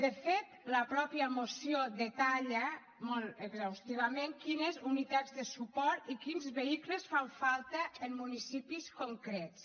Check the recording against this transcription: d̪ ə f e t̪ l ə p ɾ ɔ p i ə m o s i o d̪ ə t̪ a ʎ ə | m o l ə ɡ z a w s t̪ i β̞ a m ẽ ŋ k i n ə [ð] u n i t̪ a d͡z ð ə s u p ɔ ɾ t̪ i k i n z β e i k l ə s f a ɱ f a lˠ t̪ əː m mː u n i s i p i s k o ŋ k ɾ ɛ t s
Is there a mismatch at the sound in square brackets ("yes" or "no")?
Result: yes